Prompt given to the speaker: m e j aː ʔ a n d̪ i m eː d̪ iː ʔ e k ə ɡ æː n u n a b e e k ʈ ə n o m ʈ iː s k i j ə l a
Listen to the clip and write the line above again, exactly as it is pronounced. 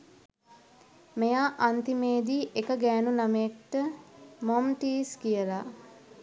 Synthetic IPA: m e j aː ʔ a n t̪ i m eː d̪ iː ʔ e k ə ɡ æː n u n a m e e k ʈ ə m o m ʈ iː s k i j ə l a

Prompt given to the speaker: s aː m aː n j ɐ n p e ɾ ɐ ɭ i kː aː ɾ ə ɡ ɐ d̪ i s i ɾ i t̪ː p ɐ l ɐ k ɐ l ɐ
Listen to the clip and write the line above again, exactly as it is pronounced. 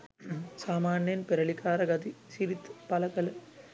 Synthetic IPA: s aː m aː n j ɐ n p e ɾ ɐ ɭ i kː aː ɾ ɐ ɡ ɐ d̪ i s i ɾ i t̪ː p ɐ l ɐ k ɐ l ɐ

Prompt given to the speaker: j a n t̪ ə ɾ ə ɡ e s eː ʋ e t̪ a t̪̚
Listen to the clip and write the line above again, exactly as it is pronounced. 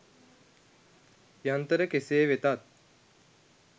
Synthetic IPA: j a n t̪ ə ɾ ə k e s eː ʋ e t̪ a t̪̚

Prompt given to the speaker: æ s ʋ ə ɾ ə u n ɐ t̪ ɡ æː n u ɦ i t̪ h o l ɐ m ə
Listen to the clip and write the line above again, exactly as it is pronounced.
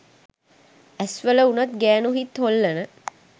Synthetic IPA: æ s ʋ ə l ə u n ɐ t̪ ɡ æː n u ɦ i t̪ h o lː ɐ n ə

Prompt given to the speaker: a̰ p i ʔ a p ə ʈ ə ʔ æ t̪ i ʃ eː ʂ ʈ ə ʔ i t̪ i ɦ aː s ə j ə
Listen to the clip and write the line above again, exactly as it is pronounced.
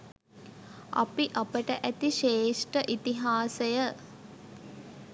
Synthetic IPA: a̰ p i ʔ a p ə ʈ ə ʔ æ t̪ i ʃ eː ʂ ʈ ə ʔ i t̪ i ɦ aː s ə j ə

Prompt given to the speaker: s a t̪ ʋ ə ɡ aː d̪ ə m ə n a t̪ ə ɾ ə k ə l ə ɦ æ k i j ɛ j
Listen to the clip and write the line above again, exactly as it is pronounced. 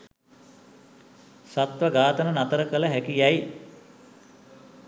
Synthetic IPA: s a t̪ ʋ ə ɡ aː t̪ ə n ə n a t̪ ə ɾ ə k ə l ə ɦ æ k i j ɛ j

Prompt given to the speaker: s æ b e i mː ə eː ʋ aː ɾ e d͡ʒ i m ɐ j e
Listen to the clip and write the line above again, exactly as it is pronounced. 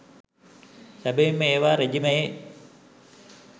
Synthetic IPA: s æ b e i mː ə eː ʋ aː ɾ e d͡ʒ i m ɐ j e

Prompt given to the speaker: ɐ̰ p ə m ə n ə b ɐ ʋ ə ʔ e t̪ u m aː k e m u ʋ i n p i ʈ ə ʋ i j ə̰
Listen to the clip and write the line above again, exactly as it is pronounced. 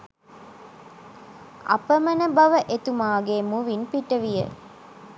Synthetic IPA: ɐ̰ p ə m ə n ə b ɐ ʋ ə ʔ e t̪ u m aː ɡ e m u ʋ i n p i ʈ ə ʋ i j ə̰

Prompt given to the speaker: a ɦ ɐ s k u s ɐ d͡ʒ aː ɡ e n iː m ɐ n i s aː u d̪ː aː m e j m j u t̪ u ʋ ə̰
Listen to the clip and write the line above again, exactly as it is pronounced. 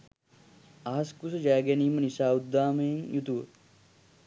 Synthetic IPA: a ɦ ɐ s k u s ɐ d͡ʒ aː ɡ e n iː m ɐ n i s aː u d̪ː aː m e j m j u t̪ u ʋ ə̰

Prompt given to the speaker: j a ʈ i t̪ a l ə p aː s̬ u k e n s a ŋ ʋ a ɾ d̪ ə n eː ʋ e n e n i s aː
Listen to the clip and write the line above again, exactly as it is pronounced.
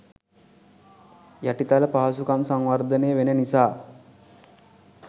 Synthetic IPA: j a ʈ i t̪ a l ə p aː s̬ u k a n s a ŋ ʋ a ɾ d̪ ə n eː ʋ e n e n i s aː

